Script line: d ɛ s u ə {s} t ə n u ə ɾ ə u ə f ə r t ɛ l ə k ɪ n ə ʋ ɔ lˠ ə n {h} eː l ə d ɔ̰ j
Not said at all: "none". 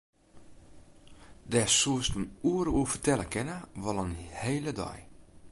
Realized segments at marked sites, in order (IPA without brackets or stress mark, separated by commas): s, h